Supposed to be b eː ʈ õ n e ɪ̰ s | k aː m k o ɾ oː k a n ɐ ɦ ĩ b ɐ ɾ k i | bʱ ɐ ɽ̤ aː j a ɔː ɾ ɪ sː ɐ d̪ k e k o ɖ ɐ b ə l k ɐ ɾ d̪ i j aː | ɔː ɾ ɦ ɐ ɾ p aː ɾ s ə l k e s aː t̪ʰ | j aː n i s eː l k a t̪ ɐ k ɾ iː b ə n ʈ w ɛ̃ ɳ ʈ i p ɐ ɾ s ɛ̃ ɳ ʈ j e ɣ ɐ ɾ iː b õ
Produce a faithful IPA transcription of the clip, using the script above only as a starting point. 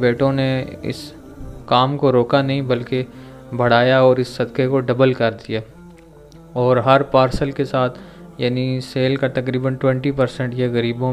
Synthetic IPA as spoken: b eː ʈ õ n e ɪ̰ s | k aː m k o ɾ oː k a n ɐ ɦ ĩ b ɐ l k e | bʱ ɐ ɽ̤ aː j a ɔː ɾ ɪ sː ɐ d̪ k e k o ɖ ɐ b ə l k ɐ ɾ d̪ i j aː | ɔː ɾ ɦ ɐ ɾ p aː ɾ s ə l k e s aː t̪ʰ | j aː n i s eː l k a t̪ ɐ k ɾ iː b ə n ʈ w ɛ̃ ɳ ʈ i p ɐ ɾ s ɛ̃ ɳ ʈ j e ɣ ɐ ɾ iː b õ

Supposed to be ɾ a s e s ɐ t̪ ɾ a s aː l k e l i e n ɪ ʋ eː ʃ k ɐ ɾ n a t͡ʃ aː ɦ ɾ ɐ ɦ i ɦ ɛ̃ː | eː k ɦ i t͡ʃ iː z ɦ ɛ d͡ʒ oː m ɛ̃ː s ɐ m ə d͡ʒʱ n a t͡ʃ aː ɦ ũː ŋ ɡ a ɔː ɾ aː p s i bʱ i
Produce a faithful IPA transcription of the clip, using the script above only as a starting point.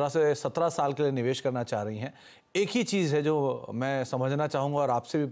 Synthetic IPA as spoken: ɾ a s e s ɐ t̪ ɾ a s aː l k e l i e n ɪ ʋ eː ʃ k ɐ ɾ n a t͡ʃ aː ɦ ɾ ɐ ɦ i ɦ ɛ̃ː | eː k ɦ i t͡ʃ iː z ɦ ɛ d͡ʒ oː m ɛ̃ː s ɐ m ə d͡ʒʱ n a t͡ʃ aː ɦ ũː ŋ ɡ a ɔː ɾ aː p s e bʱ i

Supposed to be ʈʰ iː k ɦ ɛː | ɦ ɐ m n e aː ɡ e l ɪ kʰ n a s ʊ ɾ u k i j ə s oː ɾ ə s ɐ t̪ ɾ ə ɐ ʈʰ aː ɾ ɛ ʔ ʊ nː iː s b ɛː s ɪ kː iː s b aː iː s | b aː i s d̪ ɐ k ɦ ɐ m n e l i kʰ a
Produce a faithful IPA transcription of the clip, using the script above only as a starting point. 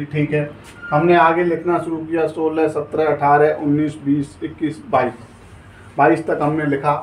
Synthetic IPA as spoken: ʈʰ iː k ɦ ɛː | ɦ ɐ m n e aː ɡ e l ɪ kʰ n a ʃ ʊ ɾ u k i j a s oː l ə s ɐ t̪ ɾ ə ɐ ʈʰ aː ɾ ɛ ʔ ʊ nː iː s b iː s ɪ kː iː s b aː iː s | b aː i s t̪ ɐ k ɦ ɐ m n e l ɪ kʰ a

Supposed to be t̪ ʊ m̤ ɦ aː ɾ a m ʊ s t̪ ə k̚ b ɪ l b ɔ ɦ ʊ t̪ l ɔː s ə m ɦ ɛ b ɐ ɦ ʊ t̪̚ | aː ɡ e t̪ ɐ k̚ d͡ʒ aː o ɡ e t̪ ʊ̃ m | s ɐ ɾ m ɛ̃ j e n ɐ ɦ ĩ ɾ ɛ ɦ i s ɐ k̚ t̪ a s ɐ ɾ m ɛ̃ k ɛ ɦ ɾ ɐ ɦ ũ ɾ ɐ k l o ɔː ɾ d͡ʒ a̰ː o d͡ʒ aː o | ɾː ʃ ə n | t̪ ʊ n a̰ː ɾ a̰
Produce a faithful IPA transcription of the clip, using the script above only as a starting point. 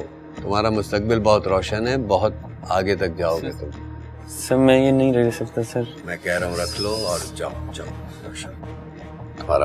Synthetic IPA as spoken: t̪ ʊ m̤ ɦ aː ɾ a m ʊ s t̪ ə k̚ b ɪ l b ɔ ɦ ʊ t̪ ɾ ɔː ʃ ə n ɦ ɛ b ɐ ɦ ʊ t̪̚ | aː ɡ e t̪ ɐ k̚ d͡ʒ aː o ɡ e t̪ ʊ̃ m | s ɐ ɾ m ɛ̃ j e n ɐ ɦ ĩ ɾ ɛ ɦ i s ɐ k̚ t̪ a s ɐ ɾ m ɛ̃ k ɛ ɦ ɾ ɐ ɦ ũ ɾ ɐ kʰ l o ɔː ɾ d͡ʒ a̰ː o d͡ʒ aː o | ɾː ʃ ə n | t̪ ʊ m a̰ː ɾ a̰

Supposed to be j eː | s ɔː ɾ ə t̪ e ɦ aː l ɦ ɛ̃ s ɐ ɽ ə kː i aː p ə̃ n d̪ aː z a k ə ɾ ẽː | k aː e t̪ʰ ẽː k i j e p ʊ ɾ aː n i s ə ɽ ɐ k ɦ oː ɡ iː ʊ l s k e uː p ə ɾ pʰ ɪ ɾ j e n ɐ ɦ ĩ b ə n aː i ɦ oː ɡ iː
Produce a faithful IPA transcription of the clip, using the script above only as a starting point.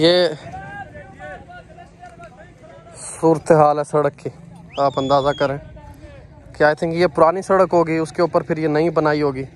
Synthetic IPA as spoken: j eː | s uː ɾ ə t̪ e ɦ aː l ɦ ɛ s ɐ ɽ ə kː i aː p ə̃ n d̪ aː z a k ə ɾ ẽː | k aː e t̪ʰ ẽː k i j e p ʊ ɾ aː n i s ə ɽ ə k ɦ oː ɡ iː ʊ s k e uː p ə ɾ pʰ ɪ ɾ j e n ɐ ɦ ĩ b ə n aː i ɦ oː ɡ iː

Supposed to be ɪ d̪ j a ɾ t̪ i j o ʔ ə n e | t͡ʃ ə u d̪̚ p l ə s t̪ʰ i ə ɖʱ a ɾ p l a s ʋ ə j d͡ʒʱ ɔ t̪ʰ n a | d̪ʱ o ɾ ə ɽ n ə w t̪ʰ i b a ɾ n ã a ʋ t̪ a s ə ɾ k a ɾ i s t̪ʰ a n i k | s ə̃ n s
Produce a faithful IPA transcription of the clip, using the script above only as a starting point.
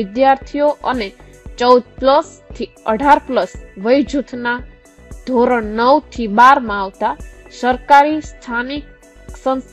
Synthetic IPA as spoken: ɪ d̪ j a ɾ t̪ʰ i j o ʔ ə n e | t͡ʃ ə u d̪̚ p l ə s t̪ʰ i ə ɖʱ a ɾ p l ə s ʋ ə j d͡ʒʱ u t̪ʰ n a | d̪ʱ o ɾ ə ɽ n ə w t̪ʰ i b a ɾ m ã a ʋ t̪ a s ə ɾ k a ɾ i s t̪ʰ a n i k | s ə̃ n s

